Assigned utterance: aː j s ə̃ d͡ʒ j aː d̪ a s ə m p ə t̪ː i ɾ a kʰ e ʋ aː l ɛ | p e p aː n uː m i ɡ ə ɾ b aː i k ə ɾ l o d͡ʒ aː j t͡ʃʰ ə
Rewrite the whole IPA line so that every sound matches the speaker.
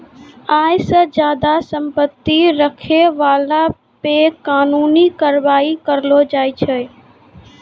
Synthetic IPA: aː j s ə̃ d͡ʒ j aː d̪ a s ə m p ə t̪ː i ɾ ə kʰ e ʋ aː l a | p e k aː n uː n i k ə ɾ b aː i k ə ɾ l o d͡ʒ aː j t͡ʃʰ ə